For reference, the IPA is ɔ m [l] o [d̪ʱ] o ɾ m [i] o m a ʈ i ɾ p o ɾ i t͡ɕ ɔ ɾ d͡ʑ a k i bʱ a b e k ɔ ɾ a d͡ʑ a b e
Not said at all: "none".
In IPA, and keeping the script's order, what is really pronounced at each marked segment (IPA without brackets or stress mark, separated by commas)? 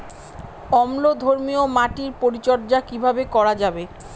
l, d̪ʱ, i